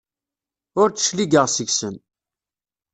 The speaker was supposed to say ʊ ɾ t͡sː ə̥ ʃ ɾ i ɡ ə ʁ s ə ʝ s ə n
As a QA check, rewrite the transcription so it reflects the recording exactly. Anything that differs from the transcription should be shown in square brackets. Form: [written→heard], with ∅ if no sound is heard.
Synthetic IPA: ʊ ɾ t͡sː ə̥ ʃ [ɾ→l] i ɡ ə ʁ s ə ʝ s ə n